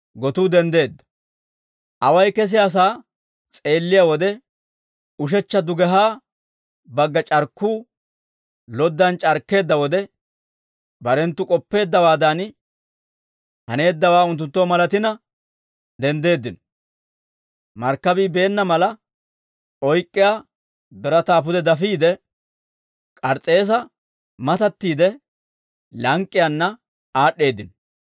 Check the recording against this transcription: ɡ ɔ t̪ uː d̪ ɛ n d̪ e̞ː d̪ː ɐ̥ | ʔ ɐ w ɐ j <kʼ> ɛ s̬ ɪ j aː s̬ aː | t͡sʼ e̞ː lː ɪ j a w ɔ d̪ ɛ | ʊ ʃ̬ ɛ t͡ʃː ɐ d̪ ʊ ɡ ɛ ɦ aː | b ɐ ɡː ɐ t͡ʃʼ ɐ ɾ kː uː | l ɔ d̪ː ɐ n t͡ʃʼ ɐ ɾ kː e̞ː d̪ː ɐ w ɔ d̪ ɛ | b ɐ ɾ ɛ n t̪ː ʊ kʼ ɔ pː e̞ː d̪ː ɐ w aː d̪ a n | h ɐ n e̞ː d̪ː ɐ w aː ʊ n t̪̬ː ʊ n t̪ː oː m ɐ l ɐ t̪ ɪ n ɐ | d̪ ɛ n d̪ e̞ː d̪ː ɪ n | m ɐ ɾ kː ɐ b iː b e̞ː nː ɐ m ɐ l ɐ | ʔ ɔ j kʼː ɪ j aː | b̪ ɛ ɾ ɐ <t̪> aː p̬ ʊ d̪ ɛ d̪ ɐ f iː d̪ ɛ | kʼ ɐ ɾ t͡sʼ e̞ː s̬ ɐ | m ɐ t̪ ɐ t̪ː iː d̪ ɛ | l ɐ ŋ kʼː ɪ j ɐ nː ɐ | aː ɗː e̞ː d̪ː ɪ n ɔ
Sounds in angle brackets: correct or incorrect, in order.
incorrect: k, correct

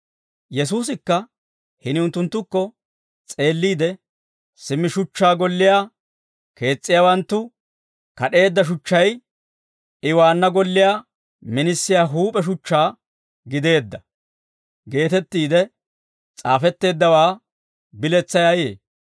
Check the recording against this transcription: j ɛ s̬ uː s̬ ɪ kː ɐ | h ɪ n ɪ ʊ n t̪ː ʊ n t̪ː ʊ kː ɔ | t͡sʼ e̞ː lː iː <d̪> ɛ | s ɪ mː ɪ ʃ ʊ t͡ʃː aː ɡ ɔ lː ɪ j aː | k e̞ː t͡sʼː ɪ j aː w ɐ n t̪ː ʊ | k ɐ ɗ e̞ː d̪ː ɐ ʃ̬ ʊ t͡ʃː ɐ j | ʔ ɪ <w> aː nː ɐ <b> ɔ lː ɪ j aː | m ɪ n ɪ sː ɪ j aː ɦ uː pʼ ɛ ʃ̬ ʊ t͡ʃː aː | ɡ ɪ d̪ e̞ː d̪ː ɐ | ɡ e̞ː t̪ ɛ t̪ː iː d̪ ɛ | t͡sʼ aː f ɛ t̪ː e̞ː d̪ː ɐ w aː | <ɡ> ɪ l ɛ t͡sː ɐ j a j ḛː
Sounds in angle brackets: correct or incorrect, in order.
correct, correct, incorrect: ɡ, incorrect: b

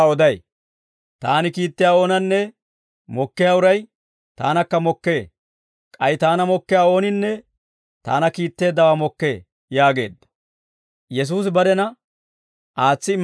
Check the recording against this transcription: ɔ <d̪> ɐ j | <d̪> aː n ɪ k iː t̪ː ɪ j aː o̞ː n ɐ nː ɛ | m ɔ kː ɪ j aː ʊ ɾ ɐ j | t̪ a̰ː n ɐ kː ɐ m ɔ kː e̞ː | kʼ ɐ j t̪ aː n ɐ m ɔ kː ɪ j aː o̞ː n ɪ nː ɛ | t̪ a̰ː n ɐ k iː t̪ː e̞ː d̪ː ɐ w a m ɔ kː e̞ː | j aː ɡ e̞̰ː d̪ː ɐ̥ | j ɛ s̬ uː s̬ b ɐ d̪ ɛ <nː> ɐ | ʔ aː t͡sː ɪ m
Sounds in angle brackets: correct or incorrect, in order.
correct, incorrect: t̪, incorrect: n

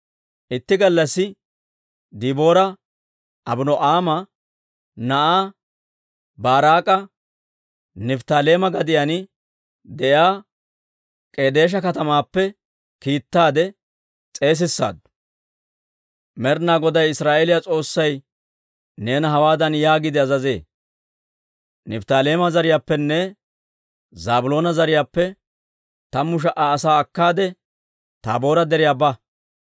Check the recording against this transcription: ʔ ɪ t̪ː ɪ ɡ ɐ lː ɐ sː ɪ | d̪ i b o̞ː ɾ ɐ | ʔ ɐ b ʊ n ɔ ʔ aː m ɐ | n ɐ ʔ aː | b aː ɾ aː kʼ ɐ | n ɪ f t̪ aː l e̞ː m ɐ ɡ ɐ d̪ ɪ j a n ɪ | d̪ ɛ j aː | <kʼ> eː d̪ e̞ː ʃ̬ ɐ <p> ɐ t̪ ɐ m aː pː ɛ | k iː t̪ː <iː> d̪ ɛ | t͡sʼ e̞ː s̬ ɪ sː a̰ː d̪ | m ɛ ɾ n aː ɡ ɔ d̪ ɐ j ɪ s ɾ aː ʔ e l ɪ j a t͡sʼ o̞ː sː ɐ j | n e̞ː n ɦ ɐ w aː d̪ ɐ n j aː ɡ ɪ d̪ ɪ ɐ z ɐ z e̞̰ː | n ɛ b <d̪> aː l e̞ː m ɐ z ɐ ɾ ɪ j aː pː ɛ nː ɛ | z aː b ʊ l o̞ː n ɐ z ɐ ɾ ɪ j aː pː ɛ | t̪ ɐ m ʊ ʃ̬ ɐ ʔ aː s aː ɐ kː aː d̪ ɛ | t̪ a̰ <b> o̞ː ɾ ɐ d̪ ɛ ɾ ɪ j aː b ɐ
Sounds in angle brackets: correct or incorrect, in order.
correct, incorrect: k, incorrect: aː, incorrect: t̪, correct

